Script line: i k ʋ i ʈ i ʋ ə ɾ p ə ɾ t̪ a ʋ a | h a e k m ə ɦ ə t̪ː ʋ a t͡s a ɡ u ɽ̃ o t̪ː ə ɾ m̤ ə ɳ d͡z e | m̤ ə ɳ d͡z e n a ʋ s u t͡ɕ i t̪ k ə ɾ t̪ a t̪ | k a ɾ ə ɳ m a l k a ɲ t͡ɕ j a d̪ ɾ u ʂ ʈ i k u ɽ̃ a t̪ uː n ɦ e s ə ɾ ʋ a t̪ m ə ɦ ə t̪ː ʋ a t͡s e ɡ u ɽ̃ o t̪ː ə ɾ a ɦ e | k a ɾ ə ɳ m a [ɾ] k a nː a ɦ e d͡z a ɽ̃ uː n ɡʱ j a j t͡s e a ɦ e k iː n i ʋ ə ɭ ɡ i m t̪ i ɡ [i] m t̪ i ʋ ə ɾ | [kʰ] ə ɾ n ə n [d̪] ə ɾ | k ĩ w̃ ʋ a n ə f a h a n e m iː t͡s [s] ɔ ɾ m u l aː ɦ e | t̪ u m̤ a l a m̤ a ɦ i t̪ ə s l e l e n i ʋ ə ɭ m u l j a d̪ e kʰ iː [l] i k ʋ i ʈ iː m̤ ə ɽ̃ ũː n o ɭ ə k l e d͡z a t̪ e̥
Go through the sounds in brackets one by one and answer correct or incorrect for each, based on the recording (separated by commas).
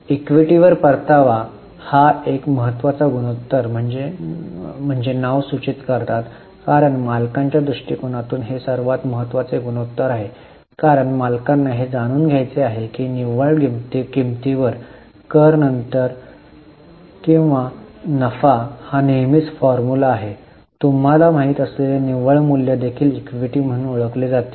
incorrect, correct, incorrect, incorrect, incorrect, correct